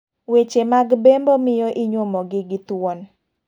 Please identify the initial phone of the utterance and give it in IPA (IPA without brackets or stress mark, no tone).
w